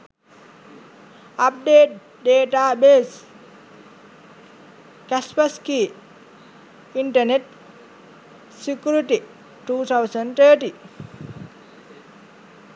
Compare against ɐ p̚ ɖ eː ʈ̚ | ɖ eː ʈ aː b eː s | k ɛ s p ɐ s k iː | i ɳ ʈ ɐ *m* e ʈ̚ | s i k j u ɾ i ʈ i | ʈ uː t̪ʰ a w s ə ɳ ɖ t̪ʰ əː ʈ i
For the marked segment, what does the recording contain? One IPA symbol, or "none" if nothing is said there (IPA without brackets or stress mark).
n